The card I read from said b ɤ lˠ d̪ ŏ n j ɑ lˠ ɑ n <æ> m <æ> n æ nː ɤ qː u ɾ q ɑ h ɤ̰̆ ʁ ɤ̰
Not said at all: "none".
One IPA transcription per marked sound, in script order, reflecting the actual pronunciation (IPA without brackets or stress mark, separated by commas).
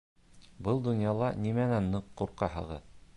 i, æ